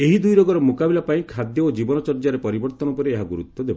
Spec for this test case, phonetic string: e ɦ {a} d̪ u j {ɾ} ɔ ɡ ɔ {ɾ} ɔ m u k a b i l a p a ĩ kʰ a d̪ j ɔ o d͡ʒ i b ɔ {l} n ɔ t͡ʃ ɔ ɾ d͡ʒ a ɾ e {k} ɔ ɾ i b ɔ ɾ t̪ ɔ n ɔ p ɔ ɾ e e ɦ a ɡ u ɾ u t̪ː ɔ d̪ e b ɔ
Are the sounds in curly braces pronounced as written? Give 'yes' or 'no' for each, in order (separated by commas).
no, yes, yes, no, no